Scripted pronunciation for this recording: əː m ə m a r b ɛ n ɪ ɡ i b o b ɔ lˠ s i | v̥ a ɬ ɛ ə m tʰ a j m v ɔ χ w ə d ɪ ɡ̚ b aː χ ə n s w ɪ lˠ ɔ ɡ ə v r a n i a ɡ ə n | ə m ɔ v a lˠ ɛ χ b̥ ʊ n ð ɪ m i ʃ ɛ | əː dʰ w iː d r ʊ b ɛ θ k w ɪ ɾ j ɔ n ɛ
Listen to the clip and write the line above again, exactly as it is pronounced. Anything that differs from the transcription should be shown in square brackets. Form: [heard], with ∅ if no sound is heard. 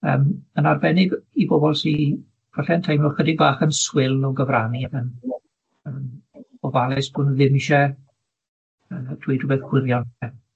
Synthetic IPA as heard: əː m ə [n] a r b ɛ n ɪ ɡ i b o b ɔ lˠ s i | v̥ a ɬ ɛ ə [n] tʰ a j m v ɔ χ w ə d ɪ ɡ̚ b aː χ ə n s w ɪ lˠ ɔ ɡ ə v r a n i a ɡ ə n | ə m ɔ v a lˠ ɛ [s] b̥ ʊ n ð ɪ m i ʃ ɛ | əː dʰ w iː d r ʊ b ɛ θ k w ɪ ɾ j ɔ n ɛ